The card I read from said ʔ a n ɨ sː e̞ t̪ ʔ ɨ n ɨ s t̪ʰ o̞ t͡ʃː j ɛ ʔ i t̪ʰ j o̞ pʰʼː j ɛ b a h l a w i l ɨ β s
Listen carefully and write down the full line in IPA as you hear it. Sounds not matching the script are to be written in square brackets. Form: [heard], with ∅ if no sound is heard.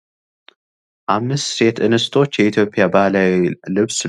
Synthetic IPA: ʔ a [m] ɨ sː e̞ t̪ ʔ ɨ n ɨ s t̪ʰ o̞ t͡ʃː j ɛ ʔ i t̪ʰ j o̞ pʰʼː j [a] b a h l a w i l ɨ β s